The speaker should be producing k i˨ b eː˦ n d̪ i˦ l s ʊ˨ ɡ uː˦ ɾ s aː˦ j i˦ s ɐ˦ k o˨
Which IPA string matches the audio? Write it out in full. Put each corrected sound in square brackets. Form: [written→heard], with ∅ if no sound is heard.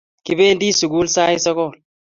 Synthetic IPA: k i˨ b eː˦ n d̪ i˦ [l→∅] s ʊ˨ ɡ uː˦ [ɾ→l] s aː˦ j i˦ s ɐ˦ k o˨